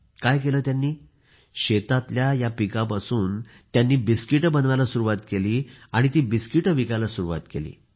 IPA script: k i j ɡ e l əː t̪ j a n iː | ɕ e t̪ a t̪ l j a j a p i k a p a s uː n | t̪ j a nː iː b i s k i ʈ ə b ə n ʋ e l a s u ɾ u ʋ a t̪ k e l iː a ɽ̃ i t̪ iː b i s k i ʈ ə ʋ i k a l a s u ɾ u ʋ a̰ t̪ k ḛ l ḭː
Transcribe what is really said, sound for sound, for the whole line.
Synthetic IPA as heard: k a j k e l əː t̪ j a nː iː | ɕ e t̪ a t̪ l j a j a p i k a p a s uː n | t̪ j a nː iː b i s k i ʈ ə b ə n ʋ a l a s u ɾ u ʋ a t̪ k e l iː a ɽ̃ i t̪ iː b i s k i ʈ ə ʋ i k a l a s u ɾ u ʋ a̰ t̪ k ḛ l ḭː